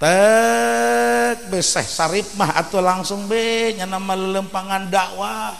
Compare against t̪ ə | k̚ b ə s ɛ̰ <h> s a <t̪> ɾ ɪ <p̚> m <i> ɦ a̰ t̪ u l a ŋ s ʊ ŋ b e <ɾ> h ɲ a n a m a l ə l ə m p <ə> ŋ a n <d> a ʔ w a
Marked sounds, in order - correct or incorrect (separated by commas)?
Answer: correct, incorrect, correct, incorrect, incorrect, incorrect, correct